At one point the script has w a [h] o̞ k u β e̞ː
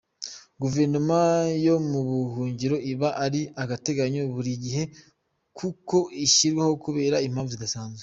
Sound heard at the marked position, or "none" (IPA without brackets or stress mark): h